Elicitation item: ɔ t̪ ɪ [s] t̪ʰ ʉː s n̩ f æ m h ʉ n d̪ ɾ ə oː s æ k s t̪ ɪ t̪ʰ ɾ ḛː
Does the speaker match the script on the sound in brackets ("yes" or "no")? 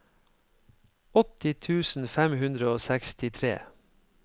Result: no